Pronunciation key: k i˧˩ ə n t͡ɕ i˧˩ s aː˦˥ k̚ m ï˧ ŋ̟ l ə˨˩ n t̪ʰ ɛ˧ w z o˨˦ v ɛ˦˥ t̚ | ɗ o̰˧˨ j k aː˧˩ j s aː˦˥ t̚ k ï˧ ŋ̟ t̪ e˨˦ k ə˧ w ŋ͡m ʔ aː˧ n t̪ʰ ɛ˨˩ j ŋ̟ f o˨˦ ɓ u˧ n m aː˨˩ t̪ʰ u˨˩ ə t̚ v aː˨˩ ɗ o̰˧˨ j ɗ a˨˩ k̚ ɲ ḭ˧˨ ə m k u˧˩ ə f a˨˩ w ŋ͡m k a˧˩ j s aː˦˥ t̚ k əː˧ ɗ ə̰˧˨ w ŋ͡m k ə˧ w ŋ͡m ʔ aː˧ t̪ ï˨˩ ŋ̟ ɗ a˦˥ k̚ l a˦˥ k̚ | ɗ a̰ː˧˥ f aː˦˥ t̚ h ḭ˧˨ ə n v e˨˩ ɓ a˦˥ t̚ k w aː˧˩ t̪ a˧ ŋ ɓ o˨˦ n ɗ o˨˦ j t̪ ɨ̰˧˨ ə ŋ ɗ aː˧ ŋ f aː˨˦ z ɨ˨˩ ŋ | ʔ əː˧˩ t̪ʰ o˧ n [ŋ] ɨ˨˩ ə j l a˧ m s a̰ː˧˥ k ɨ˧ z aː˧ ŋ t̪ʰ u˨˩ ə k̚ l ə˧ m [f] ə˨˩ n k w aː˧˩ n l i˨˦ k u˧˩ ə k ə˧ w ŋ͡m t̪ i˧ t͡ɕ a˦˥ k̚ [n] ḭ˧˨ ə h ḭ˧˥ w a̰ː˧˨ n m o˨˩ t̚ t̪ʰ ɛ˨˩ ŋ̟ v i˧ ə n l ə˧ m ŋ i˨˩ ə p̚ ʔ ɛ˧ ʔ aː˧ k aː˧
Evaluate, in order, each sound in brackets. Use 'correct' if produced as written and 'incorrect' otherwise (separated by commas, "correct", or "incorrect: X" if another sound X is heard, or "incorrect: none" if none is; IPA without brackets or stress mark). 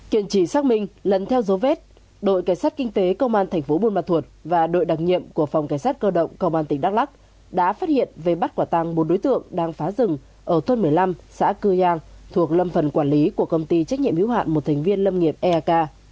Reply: incorrect: m, correct, incorrect: ɲ